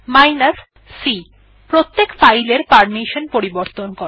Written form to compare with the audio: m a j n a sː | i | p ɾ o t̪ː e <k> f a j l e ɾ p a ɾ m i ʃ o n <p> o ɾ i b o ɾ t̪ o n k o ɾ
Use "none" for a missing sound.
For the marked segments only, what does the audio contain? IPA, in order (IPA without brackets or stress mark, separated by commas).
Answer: k, p